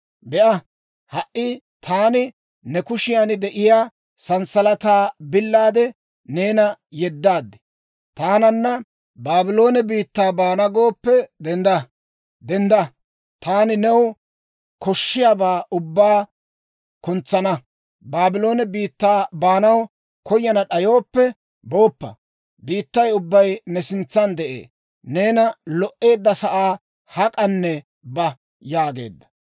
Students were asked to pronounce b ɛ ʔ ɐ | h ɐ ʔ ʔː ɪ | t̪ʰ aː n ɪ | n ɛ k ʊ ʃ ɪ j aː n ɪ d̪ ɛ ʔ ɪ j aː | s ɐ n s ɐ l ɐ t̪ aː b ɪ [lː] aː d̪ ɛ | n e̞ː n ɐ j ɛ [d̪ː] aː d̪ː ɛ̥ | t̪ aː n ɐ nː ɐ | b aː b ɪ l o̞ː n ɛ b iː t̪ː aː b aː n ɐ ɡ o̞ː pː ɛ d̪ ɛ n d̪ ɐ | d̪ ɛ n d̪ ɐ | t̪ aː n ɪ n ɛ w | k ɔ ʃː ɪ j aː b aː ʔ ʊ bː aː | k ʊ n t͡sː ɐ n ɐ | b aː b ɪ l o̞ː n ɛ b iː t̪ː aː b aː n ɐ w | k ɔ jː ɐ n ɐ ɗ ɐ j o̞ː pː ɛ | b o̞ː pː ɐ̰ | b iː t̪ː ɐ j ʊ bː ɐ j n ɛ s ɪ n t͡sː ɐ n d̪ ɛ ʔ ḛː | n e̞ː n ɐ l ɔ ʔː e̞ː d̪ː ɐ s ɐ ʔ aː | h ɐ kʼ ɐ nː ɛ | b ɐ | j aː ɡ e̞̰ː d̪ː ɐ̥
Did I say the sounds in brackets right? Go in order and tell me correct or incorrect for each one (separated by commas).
correct, correct